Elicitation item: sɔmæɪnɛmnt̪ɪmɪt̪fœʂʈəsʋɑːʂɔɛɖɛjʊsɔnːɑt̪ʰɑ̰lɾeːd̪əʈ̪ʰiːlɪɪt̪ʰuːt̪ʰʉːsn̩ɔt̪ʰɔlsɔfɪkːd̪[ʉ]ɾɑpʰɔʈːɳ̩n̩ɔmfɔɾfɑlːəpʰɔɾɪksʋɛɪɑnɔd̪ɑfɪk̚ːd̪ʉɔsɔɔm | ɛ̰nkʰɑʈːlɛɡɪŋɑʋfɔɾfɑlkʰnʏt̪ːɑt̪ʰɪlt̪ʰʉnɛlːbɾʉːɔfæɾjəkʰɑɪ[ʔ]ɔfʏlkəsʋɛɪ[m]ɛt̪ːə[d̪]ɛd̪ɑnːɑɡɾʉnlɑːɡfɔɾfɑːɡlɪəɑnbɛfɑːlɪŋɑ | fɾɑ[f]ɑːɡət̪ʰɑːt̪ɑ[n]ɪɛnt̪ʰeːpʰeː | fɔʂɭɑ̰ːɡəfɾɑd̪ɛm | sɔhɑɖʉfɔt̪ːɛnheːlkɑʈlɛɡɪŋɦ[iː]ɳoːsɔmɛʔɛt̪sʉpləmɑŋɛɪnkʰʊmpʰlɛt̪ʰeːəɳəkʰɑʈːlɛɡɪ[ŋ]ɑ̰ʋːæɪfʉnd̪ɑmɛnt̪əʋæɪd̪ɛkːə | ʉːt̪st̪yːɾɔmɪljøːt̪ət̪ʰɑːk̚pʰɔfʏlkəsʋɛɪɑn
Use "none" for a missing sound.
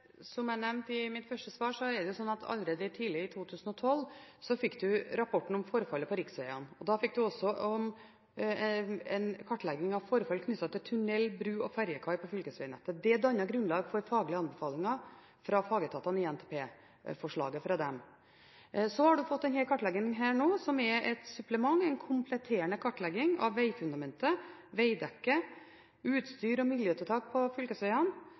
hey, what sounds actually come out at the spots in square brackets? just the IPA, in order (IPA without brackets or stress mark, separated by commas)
ʉ, p, n, d̪, f, n, æː, ŋ